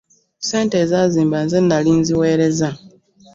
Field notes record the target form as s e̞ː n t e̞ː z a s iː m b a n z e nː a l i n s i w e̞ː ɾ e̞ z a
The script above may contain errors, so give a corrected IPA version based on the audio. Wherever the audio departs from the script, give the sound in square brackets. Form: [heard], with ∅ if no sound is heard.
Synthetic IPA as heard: s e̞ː n t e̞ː z a [z] iː m b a n z e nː a l i n [z] i w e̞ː ɾ e̞ z a